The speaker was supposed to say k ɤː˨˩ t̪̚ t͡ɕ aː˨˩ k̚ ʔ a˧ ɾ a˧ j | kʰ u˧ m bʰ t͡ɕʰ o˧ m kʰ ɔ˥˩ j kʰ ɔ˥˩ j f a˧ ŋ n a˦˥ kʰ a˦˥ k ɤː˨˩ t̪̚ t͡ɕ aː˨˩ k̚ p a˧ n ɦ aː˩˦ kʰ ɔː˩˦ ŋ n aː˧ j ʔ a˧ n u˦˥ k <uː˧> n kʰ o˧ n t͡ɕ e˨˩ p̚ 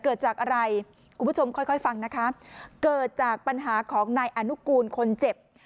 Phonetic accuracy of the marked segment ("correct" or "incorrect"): correct